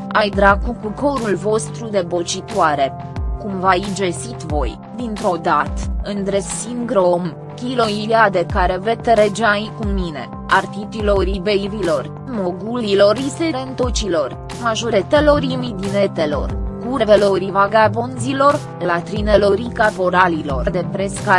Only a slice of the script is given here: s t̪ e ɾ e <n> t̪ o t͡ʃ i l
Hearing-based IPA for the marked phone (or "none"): n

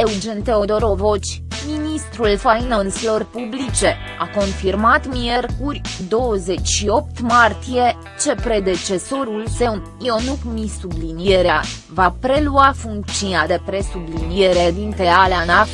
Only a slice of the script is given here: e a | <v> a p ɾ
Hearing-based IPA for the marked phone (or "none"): v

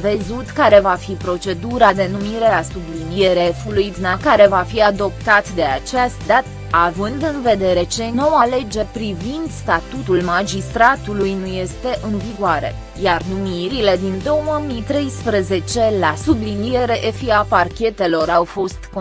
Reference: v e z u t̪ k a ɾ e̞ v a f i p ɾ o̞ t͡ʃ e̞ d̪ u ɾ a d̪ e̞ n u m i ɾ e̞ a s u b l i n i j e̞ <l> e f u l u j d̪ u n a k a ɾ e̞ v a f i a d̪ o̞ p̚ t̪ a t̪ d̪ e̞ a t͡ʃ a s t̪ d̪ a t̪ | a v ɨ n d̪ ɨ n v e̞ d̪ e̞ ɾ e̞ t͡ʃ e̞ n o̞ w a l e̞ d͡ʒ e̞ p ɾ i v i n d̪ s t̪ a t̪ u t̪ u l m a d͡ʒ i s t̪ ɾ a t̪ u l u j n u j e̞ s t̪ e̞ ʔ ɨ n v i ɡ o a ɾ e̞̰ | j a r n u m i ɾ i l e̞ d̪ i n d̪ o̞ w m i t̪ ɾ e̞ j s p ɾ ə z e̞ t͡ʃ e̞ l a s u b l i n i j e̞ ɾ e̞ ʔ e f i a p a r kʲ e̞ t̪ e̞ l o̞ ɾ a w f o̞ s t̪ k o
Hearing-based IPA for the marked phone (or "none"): ɾ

